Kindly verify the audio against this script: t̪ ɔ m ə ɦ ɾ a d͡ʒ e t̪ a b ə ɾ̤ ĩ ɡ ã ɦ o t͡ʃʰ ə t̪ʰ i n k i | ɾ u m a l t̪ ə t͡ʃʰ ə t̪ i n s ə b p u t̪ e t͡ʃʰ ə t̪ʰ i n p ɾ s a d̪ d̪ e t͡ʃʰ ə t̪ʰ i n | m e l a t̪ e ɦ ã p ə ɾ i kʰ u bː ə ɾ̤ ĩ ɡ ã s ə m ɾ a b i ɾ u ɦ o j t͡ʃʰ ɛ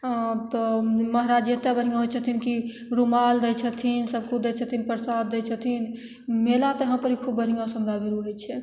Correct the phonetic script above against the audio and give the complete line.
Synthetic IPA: t̪ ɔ m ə ɦ ɾ a d͡ʒ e t̪ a b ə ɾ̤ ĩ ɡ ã ɦ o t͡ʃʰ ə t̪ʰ i n k i | ɾ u m a l d̪ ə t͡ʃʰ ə t̪ʰ i n s ə b k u d̪ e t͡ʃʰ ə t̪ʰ i n p ɾ s a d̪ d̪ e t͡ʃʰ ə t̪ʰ i n | m e l a t̪ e ɦ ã p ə ɾ i kʰ u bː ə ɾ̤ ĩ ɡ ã s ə m ɾ a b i ɾ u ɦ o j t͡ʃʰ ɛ